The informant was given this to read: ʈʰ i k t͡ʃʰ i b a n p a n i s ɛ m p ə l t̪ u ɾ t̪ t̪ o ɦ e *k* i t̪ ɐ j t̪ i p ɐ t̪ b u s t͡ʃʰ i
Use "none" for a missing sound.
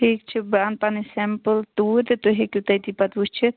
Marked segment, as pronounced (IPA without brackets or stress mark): k